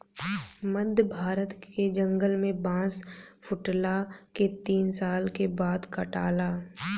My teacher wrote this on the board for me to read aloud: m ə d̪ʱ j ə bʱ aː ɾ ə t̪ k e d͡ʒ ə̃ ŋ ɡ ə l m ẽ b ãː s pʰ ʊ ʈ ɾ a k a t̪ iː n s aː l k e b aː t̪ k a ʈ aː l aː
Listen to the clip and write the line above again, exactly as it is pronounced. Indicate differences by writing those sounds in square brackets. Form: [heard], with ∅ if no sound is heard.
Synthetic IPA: m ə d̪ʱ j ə bʱ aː ɾ ə t̪ k e d͡ʒ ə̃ ŋ ɡ ə l m ẽ b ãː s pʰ ʊ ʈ [l] a k [e] t̪ iː n s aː l k e b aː [d̪] k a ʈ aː l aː